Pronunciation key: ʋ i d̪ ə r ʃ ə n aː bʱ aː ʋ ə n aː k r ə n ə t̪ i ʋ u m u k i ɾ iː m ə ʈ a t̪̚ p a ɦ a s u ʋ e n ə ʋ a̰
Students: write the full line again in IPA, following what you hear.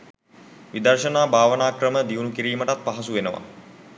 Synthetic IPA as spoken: ʋ i d̪ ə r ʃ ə n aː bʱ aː ʋ ə n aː k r ə m ə d̪ i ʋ u n u k i ɾ iː m ə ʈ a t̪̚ p a ɦ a s u ʋ e n ə ʋ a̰